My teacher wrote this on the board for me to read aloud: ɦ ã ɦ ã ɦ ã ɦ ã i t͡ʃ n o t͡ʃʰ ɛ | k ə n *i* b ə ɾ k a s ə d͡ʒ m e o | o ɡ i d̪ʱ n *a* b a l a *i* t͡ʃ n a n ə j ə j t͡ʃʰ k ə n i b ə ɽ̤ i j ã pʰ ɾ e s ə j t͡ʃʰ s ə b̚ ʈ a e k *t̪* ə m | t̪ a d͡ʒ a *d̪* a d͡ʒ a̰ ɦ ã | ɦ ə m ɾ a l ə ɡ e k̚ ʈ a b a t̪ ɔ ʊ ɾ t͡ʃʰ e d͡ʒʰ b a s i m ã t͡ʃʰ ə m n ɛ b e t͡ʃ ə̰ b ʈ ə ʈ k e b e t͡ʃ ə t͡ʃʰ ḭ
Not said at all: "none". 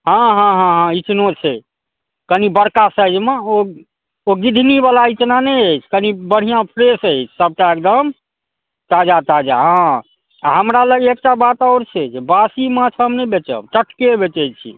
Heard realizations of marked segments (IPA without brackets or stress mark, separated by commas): i, i, i, d̪, t̪